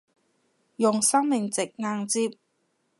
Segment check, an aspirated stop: absent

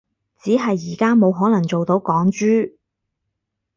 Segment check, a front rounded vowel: present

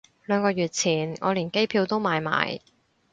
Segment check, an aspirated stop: present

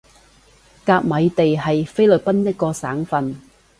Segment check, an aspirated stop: absent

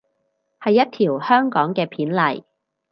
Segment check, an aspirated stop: present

